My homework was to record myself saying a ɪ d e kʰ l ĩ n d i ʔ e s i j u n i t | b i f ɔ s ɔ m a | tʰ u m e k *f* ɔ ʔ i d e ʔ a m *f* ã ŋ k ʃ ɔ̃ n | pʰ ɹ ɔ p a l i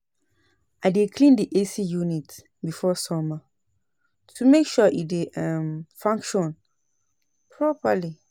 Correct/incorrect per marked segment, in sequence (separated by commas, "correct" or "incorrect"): incorrect, correct